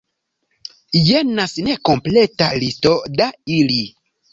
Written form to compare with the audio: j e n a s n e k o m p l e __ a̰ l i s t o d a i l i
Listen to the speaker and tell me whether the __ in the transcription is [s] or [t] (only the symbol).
t